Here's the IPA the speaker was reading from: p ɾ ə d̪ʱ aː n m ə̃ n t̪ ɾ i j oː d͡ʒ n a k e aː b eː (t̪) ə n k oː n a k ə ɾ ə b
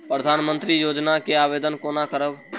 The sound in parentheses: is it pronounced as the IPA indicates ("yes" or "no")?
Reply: no